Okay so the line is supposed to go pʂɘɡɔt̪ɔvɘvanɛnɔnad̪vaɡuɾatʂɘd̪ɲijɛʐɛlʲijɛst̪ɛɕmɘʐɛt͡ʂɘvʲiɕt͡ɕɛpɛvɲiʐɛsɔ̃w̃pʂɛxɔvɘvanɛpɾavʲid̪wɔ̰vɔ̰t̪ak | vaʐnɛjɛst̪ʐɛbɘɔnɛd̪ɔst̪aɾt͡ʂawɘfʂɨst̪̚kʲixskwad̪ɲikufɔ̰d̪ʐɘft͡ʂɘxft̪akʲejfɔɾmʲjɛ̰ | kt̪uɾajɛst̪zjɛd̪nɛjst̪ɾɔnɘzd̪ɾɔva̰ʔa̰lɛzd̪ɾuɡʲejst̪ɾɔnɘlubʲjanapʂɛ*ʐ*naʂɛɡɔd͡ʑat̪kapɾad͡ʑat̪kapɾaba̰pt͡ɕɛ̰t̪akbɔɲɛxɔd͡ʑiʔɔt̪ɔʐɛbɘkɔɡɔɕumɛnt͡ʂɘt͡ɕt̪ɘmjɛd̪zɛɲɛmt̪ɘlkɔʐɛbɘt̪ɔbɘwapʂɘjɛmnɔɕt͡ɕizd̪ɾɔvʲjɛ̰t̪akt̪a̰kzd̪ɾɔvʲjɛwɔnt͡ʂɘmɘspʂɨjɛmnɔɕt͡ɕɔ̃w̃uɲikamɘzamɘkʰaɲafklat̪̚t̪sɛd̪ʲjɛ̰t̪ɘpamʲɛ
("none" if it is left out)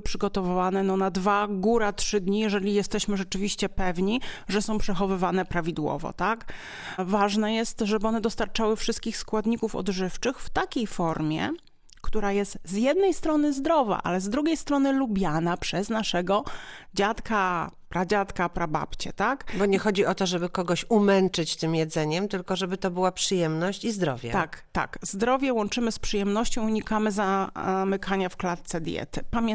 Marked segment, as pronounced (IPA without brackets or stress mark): z